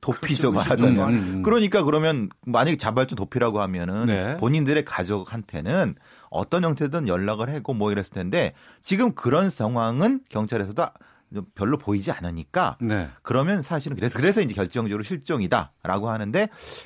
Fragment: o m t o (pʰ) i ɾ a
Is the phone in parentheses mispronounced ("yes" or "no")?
no